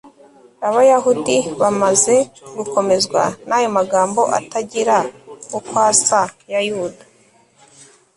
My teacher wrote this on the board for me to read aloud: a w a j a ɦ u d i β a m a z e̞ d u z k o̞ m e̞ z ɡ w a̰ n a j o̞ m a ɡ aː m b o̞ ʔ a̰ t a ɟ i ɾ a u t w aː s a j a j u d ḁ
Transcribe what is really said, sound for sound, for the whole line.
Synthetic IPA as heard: a β a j a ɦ u d i β a m a z e̞ ɡ u k o̞ m e̞ z ɡ w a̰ n a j o̞ m a ɡ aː m b o̞ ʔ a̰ t a ɟ i ɾ a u k w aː s a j a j u d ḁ